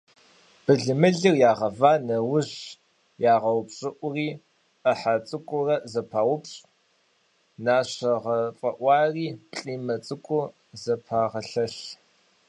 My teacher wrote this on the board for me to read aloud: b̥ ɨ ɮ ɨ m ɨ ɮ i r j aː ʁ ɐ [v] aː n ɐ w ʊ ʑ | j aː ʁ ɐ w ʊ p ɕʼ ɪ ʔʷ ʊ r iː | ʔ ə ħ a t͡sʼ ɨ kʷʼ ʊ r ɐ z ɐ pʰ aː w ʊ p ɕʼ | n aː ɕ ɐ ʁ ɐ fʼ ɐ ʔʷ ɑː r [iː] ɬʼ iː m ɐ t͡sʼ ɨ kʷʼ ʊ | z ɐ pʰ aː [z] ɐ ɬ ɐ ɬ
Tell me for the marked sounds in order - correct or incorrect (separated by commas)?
correct, correct, incorrect